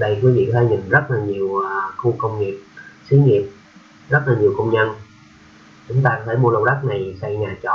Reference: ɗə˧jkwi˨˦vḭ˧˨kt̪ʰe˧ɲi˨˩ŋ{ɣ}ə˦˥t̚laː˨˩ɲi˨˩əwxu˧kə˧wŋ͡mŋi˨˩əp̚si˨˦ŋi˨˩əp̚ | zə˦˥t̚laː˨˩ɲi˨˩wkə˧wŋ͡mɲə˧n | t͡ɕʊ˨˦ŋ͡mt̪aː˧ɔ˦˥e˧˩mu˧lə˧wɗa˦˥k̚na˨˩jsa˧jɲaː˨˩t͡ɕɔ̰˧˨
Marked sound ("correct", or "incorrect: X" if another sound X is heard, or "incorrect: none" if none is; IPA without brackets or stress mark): incorrect: z